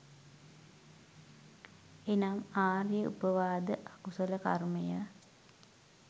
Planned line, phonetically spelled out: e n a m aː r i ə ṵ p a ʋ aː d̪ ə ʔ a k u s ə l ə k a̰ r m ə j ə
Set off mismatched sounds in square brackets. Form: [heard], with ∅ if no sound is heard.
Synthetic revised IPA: e n a m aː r [j] ə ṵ p [ə] ʋ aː d̪ ə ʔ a k u s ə l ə k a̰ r m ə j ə